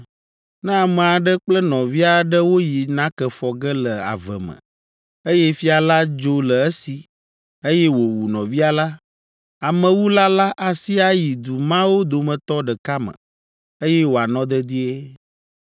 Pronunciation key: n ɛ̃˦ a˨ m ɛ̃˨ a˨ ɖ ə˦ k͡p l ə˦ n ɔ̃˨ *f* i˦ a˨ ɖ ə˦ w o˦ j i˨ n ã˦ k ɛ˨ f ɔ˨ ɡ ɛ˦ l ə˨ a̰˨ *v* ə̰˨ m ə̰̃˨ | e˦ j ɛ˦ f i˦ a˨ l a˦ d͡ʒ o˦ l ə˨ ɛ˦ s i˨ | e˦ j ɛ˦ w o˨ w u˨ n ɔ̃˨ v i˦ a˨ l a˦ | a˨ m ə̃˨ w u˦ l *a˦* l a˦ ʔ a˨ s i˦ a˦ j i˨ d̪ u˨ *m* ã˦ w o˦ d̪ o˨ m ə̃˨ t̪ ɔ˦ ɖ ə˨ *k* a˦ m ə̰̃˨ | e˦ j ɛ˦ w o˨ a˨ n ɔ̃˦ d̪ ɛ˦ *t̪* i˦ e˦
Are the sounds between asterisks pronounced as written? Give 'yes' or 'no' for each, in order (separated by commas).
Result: no, yes, yes, yes, yes, no